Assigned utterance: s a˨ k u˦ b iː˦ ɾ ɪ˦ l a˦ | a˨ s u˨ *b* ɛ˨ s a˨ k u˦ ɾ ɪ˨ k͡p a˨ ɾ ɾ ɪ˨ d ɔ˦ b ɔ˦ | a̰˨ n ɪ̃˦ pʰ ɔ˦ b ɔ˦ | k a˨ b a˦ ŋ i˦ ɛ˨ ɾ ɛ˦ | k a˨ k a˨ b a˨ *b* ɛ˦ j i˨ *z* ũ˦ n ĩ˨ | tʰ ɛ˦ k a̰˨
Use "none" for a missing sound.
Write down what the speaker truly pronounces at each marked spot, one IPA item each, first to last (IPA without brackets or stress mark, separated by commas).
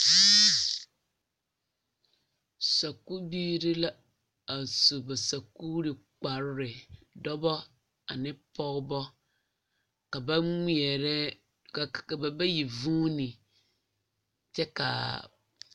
b, b, v